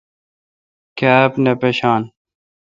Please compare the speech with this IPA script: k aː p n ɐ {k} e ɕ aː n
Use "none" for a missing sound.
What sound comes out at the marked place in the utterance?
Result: p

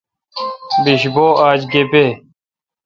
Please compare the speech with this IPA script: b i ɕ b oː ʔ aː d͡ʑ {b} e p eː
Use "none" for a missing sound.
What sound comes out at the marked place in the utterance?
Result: ɡ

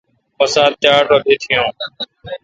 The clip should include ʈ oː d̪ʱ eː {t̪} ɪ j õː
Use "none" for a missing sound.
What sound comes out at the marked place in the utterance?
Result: t̪ʰ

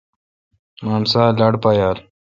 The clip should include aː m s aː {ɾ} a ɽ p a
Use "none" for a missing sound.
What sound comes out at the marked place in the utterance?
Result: l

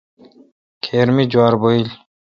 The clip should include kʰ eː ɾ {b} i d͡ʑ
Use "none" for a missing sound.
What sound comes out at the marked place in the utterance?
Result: m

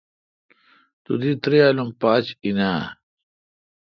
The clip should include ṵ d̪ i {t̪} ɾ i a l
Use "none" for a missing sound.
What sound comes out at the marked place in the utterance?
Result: t̪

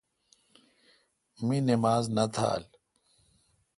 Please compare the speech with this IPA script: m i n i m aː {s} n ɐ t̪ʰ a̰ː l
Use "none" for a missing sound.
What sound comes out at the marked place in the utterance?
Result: z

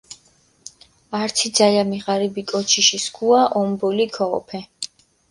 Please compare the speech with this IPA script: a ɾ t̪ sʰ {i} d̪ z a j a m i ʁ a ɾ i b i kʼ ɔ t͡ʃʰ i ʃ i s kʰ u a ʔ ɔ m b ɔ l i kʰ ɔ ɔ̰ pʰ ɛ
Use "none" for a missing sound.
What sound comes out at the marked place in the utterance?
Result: i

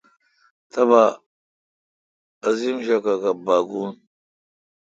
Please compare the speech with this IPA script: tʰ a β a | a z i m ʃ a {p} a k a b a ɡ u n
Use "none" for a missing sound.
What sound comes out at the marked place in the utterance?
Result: k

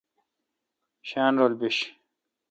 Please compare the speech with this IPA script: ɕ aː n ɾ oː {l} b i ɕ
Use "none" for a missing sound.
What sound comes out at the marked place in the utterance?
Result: l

